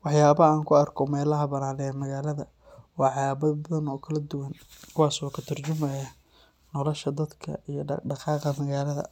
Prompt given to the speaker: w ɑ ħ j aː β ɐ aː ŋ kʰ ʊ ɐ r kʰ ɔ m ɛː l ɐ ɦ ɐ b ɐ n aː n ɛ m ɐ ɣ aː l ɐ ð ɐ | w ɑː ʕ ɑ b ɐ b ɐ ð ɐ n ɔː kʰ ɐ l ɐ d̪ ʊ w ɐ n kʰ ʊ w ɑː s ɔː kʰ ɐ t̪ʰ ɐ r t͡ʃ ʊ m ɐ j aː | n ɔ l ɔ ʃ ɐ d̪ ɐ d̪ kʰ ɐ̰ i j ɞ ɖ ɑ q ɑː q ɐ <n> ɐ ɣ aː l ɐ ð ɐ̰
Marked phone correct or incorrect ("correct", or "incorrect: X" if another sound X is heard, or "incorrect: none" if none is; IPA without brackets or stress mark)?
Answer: incorrect: m